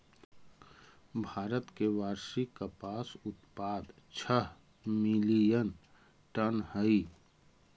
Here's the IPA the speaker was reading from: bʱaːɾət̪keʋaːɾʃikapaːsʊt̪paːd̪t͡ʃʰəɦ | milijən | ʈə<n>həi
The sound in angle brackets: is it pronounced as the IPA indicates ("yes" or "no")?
yes